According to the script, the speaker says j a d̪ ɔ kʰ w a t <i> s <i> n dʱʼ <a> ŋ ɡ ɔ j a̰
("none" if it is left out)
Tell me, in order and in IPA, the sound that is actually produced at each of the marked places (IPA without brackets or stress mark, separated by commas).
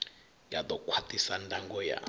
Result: i, a, a